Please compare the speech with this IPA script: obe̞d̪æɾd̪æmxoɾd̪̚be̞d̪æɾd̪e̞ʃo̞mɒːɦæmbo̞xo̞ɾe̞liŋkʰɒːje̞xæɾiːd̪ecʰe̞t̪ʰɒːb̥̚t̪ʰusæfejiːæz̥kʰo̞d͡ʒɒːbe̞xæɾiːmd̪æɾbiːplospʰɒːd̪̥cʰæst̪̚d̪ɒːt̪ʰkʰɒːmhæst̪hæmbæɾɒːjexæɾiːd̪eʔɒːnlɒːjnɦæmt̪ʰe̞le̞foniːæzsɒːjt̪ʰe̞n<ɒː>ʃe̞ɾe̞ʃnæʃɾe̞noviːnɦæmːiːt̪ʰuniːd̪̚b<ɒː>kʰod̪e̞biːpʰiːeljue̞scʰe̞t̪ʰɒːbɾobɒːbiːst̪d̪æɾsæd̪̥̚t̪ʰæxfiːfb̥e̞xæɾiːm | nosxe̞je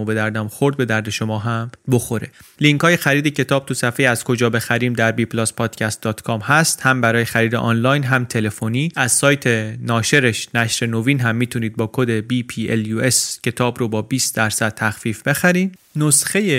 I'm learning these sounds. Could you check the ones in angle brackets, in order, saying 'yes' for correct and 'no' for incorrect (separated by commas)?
yes, yes